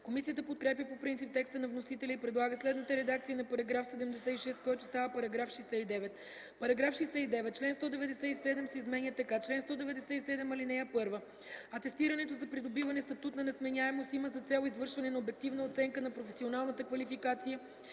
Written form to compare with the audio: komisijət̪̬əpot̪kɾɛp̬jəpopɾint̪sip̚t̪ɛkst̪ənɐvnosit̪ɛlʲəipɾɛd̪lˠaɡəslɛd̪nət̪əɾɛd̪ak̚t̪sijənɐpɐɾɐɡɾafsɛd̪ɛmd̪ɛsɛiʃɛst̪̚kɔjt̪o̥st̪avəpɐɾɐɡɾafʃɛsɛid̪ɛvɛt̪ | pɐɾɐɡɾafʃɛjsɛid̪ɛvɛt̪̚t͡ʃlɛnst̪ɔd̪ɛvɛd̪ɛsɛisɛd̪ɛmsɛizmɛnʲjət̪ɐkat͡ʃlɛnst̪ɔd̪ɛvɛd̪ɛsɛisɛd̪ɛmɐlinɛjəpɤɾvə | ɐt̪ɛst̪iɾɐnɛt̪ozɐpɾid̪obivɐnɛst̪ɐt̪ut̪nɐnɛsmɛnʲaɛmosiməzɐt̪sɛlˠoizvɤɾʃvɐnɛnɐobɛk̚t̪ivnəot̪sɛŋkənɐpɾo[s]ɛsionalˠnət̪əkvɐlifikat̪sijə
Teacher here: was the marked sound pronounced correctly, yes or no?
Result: no